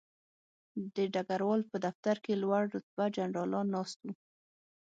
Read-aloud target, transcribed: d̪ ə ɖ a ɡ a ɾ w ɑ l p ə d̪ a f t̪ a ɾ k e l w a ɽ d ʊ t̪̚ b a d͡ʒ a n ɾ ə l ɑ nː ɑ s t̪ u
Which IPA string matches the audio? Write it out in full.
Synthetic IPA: d̪ ə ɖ a ɡ a ɾ w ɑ l p ə d̪ a f t̪ a ɾ k e l w a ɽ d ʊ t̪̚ b a d͡ʒ a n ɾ ɑ l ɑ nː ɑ s t̪ u